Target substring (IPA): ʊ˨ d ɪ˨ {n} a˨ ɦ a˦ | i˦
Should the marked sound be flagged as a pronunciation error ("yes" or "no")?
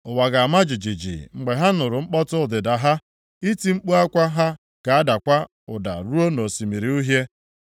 yes